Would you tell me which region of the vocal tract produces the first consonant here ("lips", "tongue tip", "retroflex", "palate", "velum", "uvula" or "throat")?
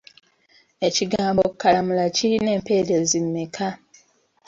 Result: palate